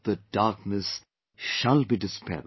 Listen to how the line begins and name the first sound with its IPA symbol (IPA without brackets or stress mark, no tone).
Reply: ð